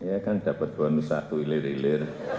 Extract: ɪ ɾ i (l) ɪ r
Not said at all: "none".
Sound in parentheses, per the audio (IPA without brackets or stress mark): l